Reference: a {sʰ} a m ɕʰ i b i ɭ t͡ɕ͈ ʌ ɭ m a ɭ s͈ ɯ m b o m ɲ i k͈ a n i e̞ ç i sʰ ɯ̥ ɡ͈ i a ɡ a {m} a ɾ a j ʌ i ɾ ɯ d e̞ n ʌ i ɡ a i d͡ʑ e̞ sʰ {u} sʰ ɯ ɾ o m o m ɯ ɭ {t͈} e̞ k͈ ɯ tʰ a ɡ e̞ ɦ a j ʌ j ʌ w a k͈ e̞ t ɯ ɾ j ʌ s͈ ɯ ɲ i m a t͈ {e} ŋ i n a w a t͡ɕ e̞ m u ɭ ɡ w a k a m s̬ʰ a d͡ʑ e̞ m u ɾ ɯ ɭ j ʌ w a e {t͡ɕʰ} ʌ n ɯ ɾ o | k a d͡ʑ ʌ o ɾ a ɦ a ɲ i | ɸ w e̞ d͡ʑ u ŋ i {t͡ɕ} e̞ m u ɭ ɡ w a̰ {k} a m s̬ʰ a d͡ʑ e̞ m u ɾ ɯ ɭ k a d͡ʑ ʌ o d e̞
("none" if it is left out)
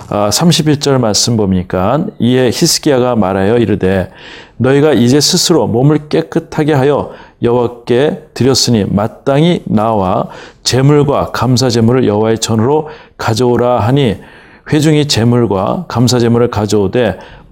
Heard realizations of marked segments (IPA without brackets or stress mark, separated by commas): sʰ, m, ɯ, k͈, a, t͡ɕʰ, t͡ɕ, k